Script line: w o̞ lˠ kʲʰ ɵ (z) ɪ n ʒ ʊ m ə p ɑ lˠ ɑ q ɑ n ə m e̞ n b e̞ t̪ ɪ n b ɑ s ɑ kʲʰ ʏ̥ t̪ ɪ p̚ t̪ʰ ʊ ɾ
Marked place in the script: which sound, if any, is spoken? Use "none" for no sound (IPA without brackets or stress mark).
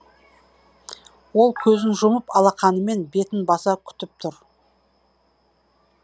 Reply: z